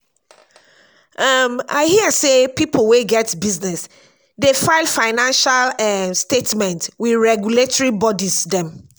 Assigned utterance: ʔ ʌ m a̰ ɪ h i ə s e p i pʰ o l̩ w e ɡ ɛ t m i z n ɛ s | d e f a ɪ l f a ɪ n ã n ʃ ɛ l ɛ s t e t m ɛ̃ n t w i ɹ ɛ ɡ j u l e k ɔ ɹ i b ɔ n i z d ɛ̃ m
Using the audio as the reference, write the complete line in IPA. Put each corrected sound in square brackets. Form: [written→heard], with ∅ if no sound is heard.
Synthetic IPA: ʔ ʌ m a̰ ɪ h i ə s e p i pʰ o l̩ w e ɡ ɛ t [m→b] i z n ɛ s | d e f a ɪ l f a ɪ n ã n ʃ [ɛ→a] l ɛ s t e t m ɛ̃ n t w i ɹ ɛ ɡ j u l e [k→t] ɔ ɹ i b ɔ [n→d] i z d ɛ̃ m